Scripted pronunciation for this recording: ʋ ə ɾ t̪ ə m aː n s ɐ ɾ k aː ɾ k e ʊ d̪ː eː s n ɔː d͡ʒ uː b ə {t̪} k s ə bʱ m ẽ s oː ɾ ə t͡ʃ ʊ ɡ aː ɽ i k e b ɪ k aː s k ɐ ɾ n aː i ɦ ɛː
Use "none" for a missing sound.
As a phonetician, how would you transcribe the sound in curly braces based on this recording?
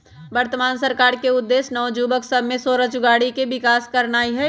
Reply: none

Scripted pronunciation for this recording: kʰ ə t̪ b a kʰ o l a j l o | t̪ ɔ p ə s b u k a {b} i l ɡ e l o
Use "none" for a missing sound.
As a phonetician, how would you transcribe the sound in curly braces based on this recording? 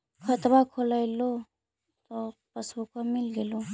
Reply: m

